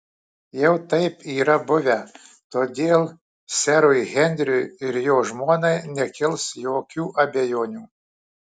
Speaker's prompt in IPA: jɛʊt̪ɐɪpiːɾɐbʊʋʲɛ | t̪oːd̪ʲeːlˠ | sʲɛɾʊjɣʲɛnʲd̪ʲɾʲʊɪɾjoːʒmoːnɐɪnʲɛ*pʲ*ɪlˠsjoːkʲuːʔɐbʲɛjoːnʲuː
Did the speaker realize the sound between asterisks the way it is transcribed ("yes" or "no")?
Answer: no